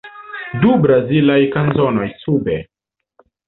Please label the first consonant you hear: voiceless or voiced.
voiced